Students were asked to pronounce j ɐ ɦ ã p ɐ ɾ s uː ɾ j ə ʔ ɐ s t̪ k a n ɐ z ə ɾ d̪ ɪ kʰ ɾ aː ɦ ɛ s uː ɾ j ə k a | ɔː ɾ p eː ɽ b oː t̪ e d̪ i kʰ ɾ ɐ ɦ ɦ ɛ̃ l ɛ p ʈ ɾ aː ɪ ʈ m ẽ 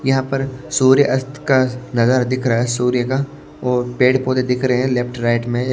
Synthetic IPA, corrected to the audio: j ɐ ɦ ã p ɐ ɾ s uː ɾ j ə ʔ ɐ s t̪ k a n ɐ z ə ɾ d̪ ɪ kʰ ɾ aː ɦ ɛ s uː ɾ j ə k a | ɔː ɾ p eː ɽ p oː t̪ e d̪ ɪ kʰ ɾ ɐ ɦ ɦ ɛ̃ l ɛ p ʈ ɾ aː ɪ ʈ m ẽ